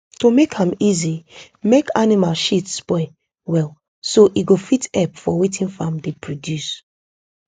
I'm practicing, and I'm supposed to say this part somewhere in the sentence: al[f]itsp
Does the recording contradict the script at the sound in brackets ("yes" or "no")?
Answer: yes